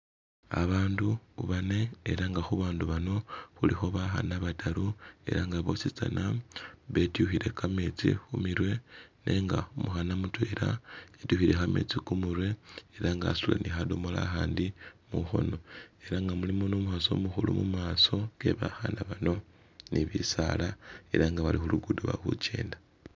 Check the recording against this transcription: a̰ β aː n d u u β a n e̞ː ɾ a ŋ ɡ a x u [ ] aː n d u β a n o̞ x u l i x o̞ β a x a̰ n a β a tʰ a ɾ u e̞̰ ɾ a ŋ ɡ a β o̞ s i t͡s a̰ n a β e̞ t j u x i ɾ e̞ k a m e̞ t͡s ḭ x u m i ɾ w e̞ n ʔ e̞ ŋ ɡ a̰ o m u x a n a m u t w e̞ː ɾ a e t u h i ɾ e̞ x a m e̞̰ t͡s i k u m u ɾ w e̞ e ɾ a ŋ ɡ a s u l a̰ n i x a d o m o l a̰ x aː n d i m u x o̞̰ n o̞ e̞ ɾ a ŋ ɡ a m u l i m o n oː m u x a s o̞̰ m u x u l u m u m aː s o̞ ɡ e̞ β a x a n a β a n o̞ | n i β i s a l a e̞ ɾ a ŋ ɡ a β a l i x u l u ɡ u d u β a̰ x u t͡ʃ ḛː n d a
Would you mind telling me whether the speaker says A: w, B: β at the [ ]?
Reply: B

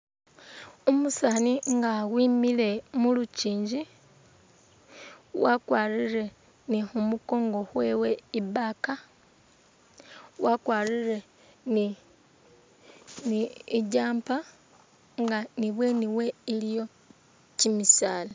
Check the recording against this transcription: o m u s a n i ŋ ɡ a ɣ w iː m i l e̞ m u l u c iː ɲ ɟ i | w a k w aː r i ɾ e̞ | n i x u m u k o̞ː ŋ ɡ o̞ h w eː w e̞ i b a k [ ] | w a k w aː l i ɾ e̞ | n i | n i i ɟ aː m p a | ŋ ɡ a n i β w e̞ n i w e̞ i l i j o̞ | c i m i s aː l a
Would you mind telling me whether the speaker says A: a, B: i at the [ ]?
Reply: A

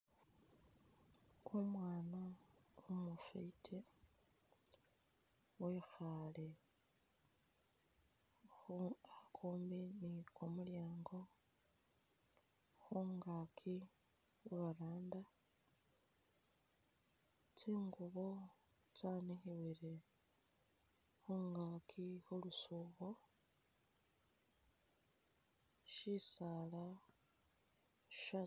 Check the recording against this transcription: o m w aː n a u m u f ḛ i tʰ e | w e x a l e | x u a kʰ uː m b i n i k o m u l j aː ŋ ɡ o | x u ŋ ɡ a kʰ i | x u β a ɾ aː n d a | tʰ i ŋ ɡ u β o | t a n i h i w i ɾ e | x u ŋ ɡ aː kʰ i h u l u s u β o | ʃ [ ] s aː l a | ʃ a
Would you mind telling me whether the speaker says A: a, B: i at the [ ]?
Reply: B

